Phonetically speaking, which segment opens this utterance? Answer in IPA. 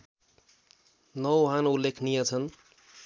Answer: n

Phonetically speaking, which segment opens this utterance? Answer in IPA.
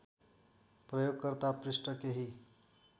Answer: p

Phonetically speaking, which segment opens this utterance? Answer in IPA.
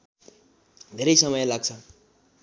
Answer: d̪ʱ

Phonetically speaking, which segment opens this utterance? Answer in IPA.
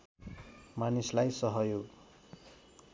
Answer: m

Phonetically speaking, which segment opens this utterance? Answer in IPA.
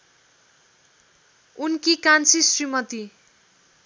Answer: u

